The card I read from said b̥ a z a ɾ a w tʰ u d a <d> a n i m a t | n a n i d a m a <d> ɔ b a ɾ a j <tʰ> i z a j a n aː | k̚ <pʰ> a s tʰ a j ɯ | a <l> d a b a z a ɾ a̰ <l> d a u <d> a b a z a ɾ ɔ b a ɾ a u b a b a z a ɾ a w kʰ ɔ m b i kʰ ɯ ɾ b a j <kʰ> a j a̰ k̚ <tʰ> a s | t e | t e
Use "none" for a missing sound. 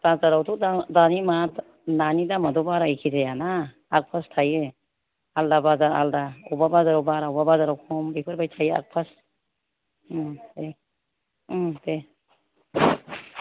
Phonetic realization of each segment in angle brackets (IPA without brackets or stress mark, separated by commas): d, d, kʰ, pʰ, l, l, b, tʰ, pʰ